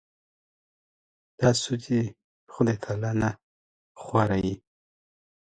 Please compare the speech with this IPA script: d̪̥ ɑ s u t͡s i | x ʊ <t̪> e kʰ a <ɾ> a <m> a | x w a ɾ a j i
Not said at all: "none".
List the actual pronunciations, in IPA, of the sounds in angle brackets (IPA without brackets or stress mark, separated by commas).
d̪, l, n